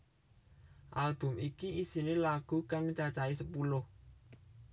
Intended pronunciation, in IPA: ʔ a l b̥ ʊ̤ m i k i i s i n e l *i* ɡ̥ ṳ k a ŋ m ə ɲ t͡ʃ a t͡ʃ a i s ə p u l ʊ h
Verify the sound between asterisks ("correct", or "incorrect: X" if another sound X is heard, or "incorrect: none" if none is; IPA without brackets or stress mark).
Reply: incorrect: a